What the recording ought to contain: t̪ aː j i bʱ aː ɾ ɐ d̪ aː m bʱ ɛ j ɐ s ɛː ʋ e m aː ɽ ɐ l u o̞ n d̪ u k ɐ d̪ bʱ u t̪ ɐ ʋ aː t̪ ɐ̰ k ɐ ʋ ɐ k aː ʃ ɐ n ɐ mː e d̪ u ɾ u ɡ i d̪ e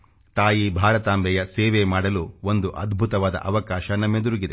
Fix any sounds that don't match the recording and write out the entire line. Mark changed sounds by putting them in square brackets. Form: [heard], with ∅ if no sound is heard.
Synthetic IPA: t̪ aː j i bʱ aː ɾ ɐ [t̪] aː m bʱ ɛ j ɐ s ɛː ʋ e m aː ɽ ɐ l u o̞ n d̪ u [ʔ] ɐ d̪ bʱ u t̪ ɐ ʋ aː [d̪] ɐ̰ [ʔ] ɐ ʋ ɐ k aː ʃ ɐ n ɐ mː e d̪ u ɾ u ɡ i d̪ e